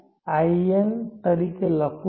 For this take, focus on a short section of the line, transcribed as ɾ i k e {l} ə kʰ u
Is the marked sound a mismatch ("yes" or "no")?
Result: no